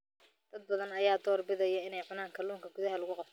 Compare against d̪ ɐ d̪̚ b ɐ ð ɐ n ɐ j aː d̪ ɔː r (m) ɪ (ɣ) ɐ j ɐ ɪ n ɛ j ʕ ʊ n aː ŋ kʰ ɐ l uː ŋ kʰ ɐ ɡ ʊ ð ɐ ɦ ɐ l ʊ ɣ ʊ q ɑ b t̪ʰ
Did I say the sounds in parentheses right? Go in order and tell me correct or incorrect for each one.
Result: incorrect: b, incorrect: ð

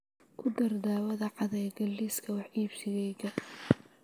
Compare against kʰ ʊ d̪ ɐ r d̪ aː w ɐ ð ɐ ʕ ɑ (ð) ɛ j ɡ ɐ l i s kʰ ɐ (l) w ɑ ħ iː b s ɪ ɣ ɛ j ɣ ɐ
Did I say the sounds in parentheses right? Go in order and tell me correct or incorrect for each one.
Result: correct, incorrect: none

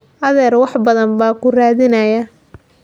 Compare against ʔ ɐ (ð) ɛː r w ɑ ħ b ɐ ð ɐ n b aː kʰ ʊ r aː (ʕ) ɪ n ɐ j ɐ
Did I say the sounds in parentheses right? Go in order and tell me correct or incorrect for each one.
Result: correct, incorrect: ð

